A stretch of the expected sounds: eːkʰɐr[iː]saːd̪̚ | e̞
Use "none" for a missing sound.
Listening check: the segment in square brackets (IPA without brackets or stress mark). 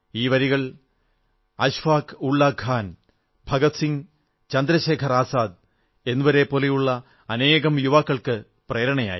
aː